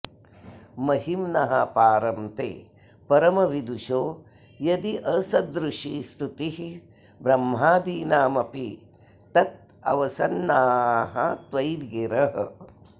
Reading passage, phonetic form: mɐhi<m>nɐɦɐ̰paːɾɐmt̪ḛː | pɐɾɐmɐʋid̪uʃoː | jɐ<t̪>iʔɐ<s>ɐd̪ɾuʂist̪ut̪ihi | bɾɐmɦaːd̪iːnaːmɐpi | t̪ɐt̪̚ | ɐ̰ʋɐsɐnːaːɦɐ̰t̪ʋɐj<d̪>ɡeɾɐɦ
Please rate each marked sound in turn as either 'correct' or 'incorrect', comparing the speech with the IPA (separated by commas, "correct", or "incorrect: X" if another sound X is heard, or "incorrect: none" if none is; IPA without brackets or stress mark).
correct, incorrect: d̪, correct, correct